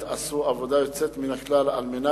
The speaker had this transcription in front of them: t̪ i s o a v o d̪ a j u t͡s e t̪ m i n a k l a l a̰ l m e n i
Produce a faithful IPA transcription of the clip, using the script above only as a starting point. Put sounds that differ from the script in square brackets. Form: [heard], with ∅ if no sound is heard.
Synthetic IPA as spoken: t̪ [a] s [u] a v o d̪ a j [o] t͡s e t̪ m i n a k l a l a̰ l m e n [a]